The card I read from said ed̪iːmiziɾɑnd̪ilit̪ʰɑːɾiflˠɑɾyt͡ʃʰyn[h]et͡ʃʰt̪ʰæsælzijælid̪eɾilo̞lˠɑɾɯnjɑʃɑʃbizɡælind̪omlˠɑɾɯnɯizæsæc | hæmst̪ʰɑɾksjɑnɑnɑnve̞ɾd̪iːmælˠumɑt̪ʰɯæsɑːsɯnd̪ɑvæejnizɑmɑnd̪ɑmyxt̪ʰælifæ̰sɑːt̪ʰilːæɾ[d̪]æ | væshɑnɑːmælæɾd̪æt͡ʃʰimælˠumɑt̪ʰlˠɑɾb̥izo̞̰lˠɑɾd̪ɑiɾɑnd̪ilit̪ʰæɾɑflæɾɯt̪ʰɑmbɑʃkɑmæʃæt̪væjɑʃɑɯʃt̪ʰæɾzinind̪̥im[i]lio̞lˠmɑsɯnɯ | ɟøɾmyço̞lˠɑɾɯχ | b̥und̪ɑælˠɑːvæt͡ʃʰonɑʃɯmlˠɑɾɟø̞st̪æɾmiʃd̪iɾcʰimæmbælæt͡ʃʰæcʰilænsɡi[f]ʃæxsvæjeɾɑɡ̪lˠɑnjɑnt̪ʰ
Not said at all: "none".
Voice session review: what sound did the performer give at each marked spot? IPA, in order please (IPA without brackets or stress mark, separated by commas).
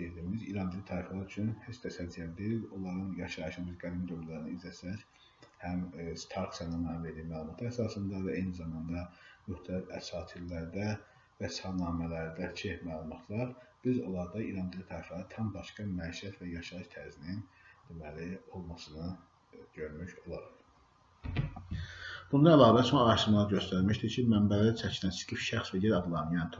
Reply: h, d̪, æ, f